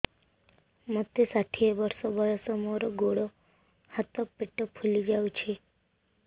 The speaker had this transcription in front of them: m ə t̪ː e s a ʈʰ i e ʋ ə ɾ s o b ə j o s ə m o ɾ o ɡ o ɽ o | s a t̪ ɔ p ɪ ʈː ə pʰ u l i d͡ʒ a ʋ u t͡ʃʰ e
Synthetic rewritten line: m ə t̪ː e s a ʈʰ i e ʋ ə ɾ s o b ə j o s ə m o ɾ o ɡ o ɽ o | h a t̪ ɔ p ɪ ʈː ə pʰ u l i d͡ʒ a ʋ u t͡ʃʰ e